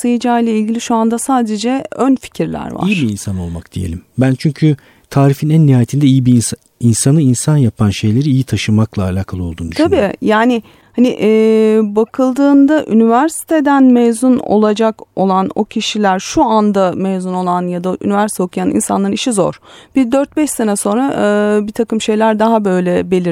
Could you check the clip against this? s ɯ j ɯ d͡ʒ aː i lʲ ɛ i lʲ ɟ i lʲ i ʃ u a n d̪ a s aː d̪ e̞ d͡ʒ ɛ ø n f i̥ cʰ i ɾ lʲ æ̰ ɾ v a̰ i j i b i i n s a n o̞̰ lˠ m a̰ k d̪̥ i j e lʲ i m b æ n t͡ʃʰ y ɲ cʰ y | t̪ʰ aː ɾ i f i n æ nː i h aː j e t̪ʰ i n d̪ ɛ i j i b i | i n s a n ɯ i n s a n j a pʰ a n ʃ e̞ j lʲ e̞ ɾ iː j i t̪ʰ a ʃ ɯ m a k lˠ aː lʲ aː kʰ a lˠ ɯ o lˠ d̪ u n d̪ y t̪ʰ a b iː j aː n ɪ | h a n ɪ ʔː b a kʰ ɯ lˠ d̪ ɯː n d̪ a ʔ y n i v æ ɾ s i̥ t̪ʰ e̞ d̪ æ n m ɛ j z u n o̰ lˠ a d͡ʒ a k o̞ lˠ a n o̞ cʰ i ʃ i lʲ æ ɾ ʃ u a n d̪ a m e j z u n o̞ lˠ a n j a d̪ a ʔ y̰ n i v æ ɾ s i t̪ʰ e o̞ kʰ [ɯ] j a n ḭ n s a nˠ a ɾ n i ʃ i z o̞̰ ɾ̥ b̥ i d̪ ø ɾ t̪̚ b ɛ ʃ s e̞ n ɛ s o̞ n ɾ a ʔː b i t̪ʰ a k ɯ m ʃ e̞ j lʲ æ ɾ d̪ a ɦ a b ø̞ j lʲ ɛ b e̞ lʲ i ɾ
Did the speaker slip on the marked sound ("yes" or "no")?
yes